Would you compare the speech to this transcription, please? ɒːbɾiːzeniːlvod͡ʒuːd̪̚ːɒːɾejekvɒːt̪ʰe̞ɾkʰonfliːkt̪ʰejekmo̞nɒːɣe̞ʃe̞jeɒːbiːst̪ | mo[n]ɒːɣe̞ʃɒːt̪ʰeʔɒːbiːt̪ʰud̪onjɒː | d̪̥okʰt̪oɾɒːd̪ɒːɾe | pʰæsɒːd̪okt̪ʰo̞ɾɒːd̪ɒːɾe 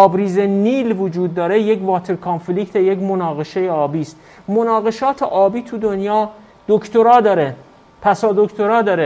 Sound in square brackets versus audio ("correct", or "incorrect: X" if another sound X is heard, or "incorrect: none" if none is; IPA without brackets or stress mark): correct